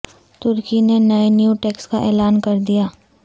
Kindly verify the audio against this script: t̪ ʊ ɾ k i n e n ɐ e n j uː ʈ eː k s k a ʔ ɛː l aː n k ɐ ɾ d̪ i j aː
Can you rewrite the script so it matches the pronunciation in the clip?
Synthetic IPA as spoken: t̪ ʊ ɾ k i n e n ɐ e n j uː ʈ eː k s k a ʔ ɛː l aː n k ɐ ɾ d̪ i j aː